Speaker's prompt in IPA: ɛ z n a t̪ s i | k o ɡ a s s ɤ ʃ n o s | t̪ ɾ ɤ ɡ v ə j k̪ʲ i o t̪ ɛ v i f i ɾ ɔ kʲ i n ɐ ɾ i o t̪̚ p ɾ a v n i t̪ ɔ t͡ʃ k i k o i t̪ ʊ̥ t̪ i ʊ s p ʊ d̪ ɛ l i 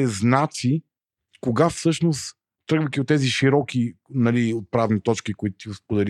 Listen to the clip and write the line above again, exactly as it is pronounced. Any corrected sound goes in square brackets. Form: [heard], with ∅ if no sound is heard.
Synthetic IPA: ɛ z n a t̪ s i | k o ɡ a [f] s ɤ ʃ n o s | t̪ ɾ ɤ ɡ v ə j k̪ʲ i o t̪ ɛ [z] i [ʃ] i ɾ ɔ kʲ i n ɐ [l] i o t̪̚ p ɾ a v n i t̪ ɔ t͡ʃ k i k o i t̪ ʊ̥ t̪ i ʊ s p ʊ d̪ ɛ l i